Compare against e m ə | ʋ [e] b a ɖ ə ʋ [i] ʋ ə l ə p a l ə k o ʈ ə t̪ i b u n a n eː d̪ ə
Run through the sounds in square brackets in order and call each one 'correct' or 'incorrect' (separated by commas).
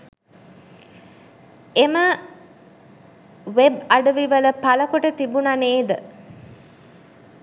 correct, correct